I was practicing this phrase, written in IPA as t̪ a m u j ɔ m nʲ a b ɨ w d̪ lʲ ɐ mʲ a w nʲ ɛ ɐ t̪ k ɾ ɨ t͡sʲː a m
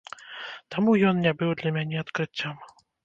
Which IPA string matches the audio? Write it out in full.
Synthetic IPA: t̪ a m u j ɔ n nʲ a b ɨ w d̪ lʲ ɐ mʲ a nʲ ɛ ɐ t̪ k ɾ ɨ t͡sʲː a m